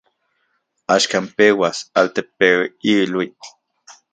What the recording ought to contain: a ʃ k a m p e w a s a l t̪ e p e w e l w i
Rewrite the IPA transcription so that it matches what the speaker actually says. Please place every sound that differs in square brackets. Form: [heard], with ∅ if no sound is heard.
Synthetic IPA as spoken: a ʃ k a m p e w a s a l t̪ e p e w [i] l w i